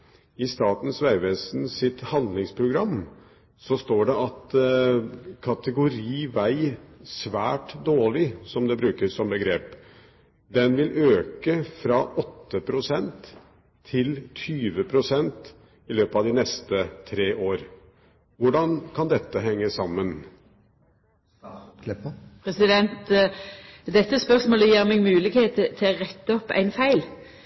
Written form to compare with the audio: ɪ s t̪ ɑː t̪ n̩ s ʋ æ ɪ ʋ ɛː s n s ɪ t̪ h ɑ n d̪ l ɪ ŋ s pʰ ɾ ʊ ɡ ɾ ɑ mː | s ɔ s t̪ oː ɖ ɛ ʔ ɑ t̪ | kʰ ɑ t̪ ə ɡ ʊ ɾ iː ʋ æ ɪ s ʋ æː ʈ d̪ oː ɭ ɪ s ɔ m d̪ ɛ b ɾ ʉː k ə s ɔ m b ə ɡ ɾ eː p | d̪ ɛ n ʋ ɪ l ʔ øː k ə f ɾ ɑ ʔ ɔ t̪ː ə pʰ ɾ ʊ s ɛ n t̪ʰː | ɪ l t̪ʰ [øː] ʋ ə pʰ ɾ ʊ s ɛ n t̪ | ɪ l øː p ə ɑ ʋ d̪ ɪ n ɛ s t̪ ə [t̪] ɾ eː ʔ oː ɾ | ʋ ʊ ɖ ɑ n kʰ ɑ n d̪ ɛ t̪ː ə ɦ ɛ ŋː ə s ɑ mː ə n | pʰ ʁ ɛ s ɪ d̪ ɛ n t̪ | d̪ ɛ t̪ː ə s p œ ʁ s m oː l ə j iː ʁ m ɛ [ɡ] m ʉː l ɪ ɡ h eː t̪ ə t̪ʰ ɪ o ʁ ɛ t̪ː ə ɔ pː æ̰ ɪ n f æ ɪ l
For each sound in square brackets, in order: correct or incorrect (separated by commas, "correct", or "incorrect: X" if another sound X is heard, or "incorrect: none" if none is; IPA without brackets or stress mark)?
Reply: incorrect: yː, incorrect: t̪ʰ, correct